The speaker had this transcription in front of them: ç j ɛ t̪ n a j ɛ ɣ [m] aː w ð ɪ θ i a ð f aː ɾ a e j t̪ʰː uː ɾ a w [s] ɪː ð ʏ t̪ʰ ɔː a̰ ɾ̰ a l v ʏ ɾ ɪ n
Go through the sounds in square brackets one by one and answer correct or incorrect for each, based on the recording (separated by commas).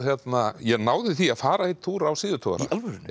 incorrect, correct